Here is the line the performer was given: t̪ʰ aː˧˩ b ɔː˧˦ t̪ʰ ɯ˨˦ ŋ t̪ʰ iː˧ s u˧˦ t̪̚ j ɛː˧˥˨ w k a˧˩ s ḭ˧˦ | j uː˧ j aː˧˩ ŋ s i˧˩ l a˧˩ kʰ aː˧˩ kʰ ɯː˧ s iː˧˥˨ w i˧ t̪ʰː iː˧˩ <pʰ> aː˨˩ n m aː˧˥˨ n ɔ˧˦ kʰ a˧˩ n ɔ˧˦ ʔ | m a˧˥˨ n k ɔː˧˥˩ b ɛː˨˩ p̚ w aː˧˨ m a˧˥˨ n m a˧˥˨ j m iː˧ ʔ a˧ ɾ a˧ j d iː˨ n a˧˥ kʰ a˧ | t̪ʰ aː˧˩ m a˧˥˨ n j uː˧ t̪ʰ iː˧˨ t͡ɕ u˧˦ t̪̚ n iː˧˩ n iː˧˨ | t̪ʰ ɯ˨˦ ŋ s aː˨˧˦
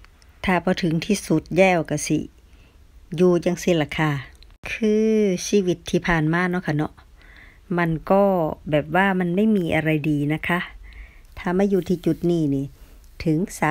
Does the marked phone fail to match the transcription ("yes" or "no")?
no